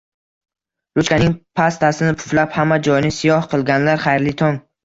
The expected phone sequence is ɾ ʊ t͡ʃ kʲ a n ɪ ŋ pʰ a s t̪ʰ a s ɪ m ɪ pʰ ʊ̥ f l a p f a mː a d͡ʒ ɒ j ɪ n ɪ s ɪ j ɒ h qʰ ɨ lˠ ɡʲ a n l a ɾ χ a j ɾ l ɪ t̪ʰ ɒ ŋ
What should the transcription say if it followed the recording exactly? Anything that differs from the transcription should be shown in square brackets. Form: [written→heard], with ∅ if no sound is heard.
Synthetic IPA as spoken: ɾ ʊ t͡ʃ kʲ a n ɪ ŋ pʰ a s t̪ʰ a s ɪ [m→n] ɪ pʰ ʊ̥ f l a p [f→h] a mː a d͡ʒ ɒ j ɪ n ɪ s ɪ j ɒ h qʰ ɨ lˠ ɡʲ a n l a ɾ χ a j ɾ l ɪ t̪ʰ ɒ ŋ